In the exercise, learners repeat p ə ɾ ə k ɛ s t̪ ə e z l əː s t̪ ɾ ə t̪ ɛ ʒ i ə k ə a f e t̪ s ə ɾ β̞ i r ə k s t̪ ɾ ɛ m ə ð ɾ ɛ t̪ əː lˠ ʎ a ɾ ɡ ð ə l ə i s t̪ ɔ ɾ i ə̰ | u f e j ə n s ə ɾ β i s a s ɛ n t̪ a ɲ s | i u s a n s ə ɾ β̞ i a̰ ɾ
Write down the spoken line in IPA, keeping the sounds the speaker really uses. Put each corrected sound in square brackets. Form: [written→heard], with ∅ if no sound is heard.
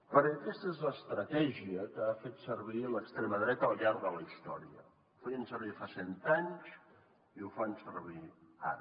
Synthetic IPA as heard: p ə ɾ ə k ɛ s t̪ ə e z l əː s t̪ ɾ ə t̪ ɛ ʒ i ə k ə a f e t̪ s ə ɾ β̞ i [r→l] ə k s t̪ ɾ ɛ m ə ð ɾ ɛ t̪ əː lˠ ʎ a ɾ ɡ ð ə l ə i s t̪ ɔ ɾ i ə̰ | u f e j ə n s ə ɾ β i [s→f] a s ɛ n t̪ a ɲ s | i u [s→f] a n s ə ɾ β̞ i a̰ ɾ